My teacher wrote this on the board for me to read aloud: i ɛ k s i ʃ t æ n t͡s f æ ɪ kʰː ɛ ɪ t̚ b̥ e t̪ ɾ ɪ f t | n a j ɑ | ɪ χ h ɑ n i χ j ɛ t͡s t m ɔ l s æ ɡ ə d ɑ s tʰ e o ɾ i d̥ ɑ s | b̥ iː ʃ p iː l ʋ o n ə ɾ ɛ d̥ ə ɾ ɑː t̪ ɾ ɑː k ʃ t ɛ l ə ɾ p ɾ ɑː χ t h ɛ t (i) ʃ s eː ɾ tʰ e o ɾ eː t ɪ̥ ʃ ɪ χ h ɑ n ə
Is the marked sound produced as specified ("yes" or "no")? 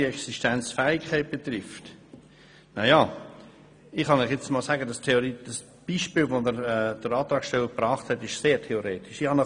no